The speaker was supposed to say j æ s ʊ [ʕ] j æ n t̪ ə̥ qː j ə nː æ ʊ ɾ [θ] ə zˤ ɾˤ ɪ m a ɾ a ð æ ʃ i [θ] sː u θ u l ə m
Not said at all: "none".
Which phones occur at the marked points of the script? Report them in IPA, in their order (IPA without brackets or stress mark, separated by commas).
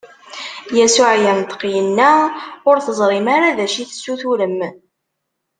ʕ, θ, θ